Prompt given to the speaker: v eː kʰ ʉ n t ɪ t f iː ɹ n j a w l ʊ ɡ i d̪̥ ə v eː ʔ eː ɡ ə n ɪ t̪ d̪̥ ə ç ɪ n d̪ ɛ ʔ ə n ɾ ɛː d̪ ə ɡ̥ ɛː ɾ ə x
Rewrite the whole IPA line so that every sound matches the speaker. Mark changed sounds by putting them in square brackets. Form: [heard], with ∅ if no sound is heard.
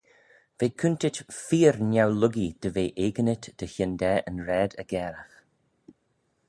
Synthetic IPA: v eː kʰ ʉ n t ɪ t f iː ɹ n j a w l ʊ ɡ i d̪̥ ə v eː ʔ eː ɡ ə n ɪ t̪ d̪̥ ə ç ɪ n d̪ ɛ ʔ ə n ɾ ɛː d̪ ə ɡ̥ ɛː ɾ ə x